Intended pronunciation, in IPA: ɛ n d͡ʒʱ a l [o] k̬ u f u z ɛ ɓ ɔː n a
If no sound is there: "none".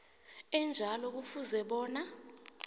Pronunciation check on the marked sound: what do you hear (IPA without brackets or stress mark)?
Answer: ɔ